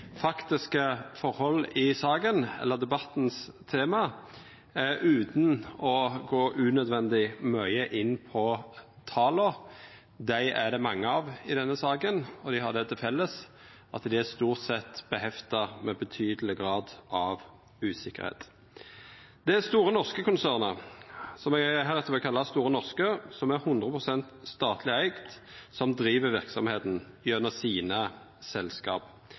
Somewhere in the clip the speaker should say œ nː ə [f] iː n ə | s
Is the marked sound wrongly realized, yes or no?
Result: yes